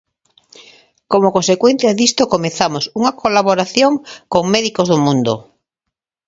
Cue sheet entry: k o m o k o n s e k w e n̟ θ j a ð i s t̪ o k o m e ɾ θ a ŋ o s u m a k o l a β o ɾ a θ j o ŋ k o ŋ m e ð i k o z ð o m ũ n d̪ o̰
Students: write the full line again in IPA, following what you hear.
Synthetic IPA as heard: k o m o k o n s e k w e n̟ θ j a ð i s t̪ o k o m e θ a m o s u ŋ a k o l a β o ɾ a θ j o ŋ k o ŋ m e ð i k o z ð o m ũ n d̪ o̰